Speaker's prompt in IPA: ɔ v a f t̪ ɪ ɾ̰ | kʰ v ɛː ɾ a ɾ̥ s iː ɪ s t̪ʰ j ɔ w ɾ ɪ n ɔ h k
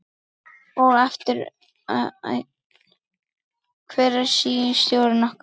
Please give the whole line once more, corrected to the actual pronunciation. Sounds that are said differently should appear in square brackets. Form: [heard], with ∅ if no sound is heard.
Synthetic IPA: ɔ [ɣ] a f t̪ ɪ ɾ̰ | kʰ v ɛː ɾ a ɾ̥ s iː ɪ s [t̪] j [o] w ɾ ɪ n ɔ h k